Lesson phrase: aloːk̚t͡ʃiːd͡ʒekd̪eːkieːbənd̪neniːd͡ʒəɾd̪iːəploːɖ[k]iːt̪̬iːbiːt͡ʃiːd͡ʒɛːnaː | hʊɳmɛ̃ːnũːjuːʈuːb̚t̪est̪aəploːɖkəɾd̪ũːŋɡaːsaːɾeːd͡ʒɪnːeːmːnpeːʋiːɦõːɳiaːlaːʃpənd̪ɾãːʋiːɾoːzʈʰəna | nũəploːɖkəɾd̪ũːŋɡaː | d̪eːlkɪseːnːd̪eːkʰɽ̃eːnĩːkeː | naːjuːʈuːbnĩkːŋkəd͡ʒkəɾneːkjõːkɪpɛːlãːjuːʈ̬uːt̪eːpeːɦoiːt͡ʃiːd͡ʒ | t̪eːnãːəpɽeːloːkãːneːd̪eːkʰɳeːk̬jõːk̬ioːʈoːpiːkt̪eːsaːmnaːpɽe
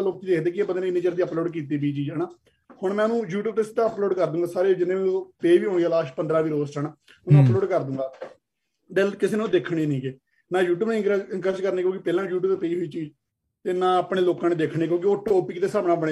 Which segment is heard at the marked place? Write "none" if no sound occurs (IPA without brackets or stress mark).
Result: k